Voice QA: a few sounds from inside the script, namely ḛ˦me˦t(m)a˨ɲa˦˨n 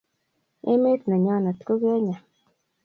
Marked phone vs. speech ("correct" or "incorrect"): incorrect